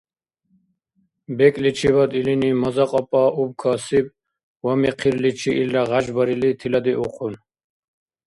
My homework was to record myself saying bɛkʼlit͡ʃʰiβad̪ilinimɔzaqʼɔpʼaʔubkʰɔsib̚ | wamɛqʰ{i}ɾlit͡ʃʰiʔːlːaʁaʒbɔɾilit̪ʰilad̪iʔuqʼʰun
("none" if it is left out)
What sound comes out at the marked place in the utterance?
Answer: i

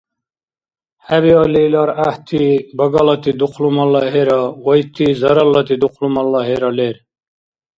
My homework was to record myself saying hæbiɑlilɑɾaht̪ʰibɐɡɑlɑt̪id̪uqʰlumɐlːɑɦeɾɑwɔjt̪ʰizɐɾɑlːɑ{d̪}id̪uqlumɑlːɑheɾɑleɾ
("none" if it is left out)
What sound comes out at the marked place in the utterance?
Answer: t̪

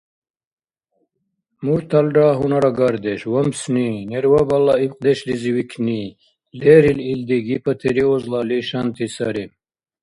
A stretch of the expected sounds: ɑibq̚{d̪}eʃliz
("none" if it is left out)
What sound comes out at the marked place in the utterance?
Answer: d̪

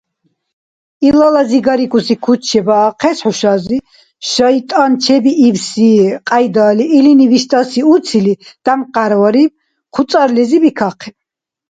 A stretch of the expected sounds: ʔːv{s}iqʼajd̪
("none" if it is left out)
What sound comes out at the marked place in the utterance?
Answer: s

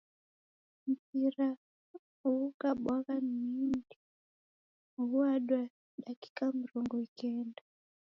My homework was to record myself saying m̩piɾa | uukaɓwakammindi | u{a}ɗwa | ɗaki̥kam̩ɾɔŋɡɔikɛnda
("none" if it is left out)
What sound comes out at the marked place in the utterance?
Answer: a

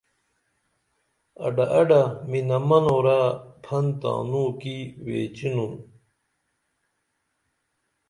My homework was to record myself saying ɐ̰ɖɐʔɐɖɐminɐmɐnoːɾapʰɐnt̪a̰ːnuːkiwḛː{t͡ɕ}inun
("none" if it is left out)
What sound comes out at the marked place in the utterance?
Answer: t͡ɕ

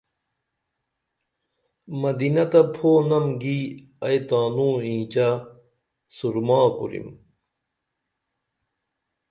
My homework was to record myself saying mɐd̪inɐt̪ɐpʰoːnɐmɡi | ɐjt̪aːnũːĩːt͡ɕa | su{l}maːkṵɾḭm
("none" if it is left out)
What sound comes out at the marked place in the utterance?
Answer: ɾ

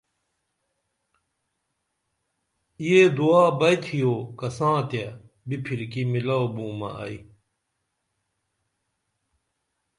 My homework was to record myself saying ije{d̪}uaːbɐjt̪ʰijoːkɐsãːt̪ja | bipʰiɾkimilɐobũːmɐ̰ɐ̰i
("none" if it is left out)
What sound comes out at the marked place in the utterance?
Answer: d̪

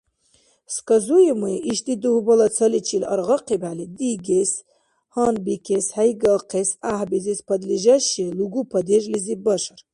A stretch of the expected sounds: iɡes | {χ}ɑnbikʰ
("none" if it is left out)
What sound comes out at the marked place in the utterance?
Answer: h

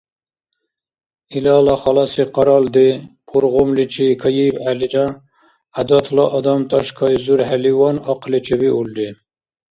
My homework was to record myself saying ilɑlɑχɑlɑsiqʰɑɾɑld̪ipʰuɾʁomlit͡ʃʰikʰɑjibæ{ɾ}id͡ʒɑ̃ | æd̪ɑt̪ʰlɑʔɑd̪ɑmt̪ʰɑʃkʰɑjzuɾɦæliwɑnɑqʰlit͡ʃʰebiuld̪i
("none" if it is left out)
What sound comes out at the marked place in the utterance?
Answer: l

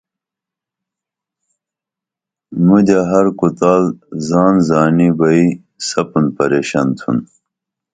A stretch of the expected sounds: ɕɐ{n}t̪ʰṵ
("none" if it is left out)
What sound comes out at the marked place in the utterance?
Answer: n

